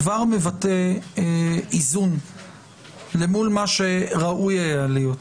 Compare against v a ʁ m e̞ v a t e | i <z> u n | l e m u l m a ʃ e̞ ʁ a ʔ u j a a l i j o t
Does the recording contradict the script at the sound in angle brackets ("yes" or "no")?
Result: no